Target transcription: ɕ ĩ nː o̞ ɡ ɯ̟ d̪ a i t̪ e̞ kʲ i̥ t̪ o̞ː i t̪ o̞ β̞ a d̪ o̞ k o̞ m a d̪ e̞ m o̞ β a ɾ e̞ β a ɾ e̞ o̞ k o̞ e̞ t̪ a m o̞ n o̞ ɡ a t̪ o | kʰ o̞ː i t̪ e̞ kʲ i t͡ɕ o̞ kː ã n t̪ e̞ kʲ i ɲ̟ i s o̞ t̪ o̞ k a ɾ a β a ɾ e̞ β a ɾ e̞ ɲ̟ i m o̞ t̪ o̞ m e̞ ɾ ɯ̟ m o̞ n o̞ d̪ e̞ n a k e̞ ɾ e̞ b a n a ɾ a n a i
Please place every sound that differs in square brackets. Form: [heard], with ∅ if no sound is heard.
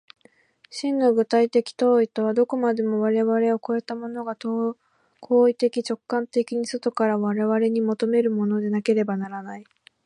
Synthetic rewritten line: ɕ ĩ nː o̞ ɡ ɯ̟ [t̪] a i t̪ e̞ kʲ i̥ t̪ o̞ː i t̪ o̞ β̞ a d̪ o̞ k o̞ m a d̪ e̞ m o̞ β a ɾ e̞ β a ɾ e̞ o̞ k o̞ e̞ t̪ a m o̞ n o̞ ɡ a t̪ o | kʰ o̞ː i t̪ e̞ kʲ i t͡ɕ o̞ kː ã n t̪ e̞ kʲ i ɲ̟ i s o̞ t̪ o̞ k a ɾ a β a ɾ e̞ β a ɾ e̞ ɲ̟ i m o̞ t̪ o̞ m e̞ ɾ ɯ̟ m o̞ n o̞ d̪ e̞ n a k e̞ ɾ e̞ b a n a ɾ a n a i